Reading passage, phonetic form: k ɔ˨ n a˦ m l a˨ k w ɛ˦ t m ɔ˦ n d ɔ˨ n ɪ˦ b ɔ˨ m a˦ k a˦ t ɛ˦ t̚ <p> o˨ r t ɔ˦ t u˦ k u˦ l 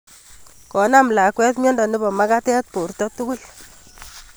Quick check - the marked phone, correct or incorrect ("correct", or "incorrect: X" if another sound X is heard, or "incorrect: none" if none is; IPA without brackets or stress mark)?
correct